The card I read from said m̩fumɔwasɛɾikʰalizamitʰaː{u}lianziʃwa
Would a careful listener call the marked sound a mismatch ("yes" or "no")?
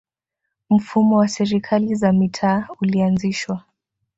no